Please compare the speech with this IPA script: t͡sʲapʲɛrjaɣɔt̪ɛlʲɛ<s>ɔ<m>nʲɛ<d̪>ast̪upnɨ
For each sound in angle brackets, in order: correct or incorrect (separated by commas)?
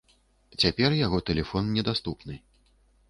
incorrect, incorrect, correct